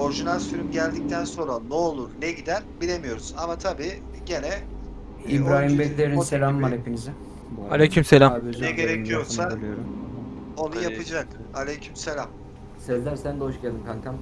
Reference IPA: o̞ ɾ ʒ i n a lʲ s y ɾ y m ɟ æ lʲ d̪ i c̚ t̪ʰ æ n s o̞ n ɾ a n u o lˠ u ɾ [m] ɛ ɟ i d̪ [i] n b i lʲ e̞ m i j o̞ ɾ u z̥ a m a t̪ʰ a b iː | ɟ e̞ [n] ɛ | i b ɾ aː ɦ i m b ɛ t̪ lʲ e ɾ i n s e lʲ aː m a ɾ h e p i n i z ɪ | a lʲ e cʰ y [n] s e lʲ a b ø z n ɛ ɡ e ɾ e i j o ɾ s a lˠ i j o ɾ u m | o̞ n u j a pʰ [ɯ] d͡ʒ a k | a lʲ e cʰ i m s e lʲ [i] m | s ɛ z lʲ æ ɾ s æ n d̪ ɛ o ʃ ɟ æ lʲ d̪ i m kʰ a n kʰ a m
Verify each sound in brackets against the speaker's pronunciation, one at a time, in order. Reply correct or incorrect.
incorrect, incorrect, correct, incorrect, correct, incorrect

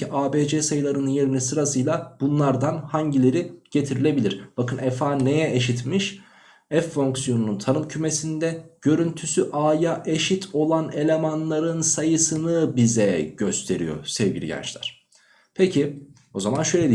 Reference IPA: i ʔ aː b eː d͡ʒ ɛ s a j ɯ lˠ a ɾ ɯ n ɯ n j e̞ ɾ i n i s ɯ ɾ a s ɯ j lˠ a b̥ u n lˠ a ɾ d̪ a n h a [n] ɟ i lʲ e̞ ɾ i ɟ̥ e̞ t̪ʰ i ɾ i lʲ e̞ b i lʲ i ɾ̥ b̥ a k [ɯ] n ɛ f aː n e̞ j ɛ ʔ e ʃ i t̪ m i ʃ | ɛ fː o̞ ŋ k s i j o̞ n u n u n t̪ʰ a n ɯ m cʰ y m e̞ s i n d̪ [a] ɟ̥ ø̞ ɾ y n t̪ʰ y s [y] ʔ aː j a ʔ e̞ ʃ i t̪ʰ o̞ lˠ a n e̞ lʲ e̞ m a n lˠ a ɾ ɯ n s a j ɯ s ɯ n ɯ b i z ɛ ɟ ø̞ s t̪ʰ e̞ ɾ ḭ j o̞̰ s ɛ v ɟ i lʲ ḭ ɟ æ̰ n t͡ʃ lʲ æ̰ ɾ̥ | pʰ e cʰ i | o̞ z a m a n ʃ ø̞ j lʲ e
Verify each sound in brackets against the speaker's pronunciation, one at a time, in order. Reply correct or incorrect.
incorrect, correct, incorrect, correct

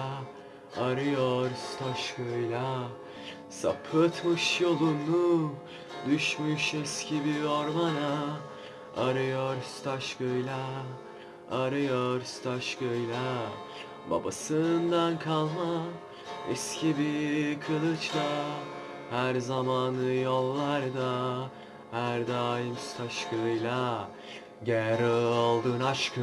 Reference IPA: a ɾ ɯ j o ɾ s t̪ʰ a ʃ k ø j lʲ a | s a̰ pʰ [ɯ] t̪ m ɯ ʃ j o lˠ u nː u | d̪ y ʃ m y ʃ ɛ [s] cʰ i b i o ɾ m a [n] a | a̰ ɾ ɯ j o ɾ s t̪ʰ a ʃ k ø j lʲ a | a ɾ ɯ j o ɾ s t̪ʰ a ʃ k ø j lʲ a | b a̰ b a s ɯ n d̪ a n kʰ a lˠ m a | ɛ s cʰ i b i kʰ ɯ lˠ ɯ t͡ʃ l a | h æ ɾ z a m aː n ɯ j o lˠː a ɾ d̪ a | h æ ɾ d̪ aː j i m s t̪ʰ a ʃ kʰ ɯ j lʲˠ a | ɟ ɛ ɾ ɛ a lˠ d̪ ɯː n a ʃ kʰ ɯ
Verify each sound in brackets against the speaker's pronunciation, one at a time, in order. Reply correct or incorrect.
correct, correct, correct

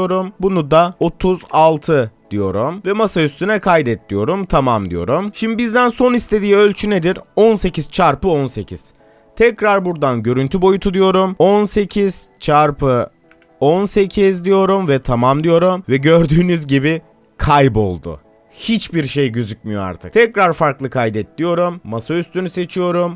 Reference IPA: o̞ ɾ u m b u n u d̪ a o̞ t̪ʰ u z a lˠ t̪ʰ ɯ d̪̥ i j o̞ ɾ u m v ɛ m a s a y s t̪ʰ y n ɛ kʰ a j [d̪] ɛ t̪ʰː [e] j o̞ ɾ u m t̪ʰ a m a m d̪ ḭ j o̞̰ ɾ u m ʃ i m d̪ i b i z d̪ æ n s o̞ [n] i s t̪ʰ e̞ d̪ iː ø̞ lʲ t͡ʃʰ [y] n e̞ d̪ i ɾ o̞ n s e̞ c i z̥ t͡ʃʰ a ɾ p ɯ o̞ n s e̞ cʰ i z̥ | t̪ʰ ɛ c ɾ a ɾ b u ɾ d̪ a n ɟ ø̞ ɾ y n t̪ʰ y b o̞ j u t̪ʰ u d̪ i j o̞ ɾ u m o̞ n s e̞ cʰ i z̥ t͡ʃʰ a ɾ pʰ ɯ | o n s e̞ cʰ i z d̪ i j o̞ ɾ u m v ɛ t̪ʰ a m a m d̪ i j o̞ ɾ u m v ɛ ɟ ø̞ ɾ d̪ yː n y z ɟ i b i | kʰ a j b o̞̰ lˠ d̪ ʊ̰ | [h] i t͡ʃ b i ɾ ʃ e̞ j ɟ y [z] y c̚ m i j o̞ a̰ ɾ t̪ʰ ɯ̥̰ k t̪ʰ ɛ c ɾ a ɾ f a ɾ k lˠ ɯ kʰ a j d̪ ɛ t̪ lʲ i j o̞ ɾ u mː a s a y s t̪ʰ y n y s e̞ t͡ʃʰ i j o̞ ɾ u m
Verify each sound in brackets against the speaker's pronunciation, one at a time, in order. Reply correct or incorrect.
correct, incorrect, correct, correct, correct, correct

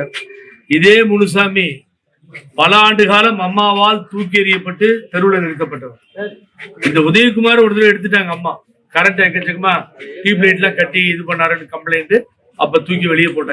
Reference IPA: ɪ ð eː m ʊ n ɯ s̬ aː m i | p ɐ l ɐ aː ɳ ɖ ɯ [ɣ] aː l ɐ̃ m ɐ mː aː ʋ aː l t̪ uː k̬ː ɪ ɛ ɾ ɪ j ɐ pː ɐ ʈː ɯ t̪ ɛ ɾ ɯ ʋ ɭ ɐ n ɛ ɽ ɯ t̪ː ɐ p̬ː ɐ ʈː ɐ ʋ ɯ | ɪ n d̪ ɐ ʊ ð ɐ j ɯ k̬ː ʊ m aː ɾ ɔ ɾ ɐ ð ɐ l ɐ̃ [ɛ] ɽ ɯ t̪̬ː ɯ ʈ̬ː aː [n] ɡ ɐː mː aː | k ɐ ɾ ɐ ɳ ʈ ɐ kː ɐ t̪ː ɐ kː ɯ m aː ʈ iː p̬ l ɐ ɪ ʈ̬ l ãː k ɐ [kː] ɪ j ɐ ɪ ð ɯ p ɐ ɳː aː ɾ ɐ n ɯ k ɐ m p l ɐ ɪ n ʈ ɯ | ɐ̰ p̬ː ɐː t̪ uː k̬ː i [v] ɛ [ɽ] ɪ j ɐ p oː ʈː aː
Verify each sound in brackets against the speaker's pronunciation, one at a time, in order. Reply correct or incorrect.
correct, correct, incorrect, incorrect, incorrect, incorrect

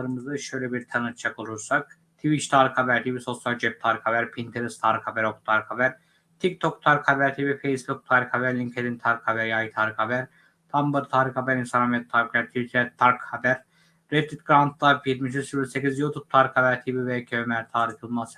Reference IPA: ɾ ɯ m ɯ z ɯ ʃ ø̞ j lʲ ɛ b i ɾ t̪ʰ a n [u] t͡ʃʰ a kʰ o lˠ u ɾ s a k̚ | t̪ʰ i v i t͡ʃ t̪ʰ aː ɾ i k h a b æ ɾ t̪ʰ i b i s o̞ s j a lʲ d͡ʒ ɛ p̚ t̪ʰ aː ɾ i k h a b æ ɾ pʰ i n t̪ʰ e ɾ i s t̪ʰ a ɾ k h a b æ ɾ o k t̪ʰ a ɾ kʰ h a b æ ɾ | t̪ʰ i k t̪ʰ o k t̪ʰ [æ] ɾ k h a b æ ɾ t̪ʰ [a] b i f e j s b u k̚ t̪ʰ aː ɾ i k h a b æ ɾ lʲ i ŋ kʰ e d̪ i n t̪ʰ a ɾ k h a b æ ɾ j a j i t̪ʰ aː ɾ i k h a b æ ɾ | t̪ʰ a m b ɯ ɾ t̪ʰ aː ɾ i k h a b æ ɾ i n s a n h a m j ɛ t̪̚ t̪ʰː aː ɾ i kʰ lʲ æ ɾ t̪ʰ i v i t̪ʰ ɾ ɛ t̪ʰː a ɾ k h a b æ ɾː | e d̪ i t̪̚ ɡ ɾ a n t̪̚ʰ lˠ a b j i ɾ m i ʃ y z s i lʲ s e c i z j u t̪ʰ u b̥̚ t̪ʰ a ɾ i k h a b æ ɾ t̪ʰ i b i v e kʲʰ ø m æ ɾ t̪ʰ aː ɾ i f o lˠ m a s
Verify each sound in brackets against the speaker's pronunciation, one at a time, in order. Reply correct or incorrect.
incorrect, incorrect, incorrect

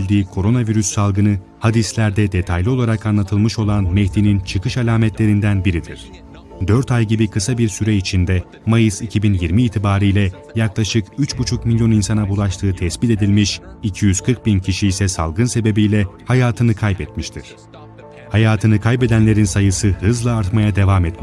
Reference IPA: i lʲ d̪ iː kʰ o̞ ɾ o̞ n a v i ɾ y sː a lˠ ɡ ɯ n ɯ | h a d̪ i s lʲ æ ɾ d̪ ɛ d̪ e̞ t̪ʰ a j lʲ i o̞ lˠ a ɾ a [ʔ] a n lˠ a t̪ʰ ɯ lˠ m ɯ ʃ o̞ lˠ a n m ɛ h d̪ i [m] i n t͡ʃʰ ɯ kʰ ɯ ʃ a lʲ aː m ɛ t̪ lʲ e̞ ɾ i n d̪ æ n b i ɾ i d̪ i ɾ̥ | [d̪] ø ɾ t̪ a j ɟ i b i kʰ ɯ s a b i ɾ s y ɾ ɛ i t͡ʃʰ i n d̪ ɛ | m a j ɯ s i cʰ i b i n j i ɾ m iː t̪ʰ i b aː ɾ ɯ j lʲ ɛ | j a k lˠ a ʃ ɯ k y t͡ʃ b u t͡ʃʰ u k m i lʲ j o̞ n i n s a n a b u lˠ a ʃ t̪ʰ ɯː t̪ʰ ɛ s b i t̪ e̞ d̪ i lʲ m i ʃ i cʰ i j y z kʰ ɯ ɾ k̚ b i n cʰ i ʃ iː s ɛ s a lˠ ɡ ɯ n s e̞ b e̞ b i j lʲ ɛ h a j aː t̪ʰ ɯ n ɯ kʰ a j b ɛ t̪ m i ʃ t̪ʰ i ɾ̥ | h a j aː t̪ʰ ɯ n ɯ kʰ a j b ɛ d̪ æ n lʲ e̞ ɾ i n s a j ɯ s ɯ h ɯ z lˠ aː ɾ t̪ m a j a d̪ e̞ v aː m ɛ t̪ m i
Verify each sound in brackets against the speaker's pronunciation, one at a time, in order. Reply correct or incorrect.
incorrect, incorrect, correct

